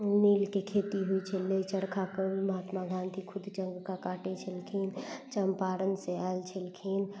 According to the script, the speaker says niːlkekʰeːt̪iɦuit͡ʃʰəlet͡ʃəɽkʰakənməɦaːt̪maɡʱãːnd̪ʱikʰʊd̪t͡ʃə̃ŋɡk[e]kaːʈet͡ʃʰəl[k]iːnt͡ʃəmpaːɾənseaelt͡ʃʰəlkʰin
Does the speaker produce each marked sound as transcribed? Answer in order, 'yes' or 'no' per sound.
no, no

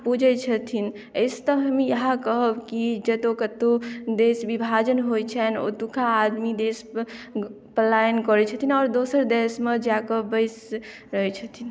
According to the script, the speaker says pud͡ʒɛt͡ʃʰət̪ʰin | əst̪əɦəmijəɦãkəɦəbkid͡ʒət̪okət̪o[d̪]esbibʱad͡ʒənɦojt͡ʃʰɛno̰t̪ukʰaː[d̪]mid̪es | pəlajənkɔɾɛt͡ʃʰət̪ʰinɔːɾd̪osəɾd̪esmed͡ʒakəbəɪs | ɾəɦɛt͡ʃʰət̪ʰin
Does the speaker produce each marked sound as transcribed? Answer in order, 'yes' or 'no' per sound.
yes, yes

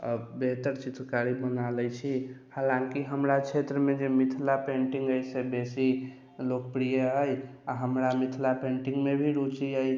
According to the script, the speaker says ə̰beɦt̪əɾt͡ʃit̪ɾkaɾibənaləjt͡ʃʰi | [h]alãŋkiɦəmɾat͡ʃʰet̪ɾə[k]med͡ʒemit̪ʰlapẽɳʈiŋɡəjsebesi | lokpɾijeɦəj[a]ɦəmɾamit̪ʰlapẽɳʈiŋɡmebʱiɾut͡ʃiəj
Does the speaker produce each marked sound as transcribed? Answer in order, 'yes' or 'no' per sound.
yes, no, yes

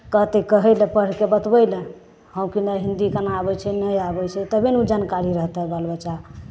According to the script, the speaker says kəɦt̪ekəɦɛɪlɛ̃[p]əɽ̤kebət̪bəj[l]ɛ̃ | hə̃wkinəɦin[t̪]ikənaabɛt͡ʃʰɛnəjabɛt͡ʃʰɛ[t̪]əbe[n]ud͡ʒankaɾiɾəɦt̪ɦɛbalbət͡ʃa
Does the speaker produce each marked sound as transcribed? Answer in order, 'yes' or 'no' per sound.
yes, yes, no, yes, yes

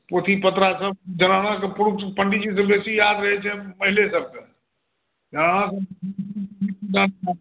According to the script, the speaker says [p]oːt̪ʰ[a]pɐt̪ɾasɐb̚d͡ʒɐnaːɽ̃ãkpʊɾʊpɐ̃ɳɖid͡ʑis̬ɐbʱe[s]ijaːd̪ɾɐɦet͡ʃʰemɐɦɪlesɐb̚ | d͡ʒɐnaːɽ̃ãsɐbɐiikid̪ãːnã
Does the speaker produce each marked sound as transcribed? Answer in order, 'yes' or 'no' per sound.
yes, no, yes

